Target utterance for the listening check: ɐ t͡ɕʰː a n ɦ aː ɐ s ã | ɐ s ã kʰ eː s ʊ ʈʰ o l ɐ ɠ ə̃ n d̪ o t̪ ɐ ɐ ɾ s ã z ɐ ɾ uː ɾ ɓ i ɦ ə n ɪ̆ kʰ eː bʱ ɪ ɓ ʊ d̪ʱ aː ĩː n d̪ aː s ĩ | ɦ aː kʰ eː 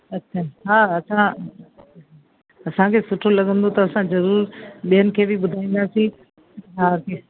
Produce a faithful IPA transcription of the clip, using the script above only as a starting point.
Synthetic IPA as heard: ɐ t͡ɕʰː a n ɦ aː ɐ s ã | ɐ s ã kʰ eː s ʊ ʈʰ o l ɐ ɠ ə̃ n d̪ o t̪ ɐ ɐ s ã z ɐ ɾ uː ɾ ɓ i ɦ ə n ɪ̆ kʰ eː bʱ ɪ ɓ ʊ d̪ʱ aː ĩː n d̪ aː s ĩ | ɦ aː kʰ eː